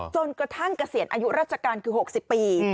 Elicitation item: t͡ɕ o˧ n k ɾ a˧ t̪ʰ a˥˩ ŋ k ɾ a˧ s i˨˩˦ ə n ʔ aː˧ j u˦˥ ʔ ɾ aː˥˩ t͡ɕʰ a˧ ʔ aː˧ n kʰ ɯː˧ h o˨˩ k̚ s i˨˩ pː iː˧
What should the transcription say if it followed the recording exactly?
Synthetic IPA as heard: t͡ɕ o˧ n k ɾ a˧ t̪ʰ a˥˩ ŋ k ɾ a˧ s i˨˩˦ ə n ʔ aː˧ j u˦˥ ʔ ɾ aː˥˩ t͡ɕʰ a˧ k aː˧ n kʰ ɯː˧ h o˨˩ k̚ s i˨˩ pː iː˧

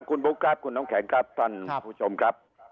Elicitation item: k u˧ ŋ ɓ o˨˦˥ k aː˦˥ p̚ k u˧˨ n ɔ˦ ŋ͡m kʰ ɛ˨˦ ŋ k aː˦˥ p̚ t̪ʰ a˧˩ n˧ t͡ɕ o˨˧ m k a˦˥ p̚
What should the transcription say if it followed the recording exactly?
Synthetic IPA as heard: k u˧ n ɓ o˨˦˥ k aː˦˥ p̚ k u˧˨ n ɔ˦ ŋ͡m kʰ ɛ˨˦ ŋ k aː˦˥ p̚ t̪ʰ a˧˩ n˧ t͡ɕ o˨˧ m k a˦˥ p̚

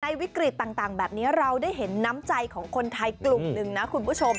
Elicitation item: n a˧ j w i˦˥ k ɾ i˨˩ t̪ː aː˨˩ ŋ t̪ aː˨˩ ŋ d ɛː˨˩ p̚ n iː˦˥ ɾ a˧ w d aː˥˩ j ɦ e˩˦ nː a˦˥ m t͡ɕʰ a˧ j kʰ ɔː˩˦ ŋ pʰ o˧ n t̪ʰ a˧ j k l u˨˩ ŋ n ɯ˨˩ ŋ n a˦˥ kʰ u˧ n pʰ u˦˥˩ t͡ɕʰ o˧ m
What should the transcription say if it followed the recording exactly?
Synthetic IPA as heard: n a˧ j w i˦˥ k ɾ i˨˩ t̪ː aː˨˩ ŋ t̪ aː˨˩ ŋ b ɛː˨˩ p̚ n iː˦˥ ɾ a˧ w d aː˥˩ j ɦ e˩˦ nː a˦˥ m t͡ɕ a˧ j kʰ ɔː˩˦ ŋ kʰ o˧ n t̪ʰ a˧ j k l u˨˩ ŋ n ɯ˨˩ ŋ n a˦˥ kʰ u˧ n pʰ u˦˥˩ t͡ɕʰ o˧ m

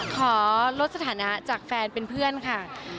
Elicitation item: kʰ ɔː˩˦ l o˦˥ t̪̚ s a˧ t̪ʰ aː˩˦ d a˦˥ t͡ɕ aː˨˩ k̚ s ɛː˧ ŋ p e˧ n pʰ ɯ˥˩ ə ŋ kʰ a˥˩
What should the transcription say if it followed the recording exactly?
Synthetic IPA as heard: kʰ ɔː˩˦ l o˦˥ t̪̚ s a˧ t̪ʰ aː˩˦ n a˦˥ t͡ɕ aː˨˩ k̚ f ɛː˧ n p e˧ n pʰ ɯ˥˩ ə n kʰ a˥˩

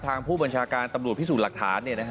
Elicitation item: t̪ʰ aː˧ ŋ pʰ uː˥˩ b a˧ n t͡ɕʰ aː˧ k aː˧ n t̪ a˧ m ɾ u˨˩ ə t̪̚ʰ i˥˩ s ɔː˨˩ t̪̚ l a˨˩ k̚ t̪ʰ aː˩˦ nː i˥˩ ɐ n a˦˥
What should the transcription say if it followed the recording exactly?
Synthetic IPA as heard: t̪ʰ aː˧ ŋ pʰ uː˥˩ b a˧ n t͡ɕʰ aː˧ k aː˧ n t̪ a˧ m ɾ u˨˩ ə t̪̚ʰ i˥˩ s uː˨˩ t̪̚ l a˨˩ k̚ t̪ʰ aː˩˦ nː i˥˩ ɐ n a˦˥

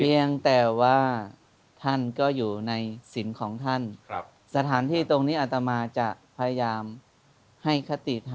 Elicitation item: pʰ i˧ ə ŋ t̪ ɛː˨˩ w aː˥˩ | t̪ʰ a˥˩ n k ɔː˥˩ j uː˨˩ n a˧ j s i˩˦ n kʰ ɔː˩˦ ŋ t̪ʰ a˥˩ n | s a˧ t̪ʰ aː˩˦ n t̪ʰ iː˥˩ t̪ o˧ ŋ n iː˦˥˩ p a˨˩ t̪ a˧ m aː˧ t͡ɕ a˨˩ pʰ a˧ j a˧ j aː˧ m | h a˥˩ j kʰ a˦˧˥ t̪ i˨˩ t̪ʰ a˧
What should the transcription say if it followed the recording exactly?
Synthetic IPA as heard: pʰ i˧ ə ŋ t̪ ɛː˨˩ w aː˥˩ | t̪ʰ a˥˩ n k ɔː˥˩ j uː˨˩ n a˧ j s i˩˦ n kʰ ɔː˩˦ ŋ t̪ʰ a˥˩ n | s a˧ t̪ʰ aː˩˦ n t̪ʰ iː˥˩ t̪ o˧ ŋ n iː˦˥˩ ʔ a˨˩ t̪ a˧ m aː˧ t͡ɕ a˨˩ pʰ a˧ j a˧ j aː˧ m | h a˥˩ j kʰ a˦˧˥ t̪ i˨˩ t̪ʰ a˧

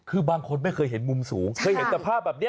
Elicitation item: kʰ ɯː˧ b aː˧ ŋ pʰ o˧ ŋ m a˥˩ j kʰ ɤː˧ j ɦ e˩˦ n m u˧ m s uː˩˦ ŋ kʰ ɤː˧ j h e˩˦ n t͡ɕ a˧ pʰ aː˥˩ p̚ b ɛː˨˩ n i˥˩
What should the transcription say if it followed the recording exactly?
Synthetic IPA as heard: kʰ ɯː˧ b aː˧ ŋ kʰ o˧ n m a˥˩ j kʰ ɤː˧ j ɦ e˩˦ n m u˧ m s uː˩˦ ŋ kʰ ɤː˧ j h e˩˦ n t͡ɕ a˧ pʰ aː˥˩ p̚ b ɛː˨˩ n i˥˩

